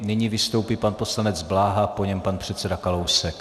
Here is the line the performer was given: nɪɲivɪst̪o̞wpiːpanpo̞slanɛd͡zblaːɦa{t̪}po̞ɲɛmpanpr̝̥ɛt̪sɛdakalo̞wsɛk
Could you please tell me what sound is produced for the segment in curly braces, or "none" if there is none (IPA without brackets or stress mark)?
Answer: none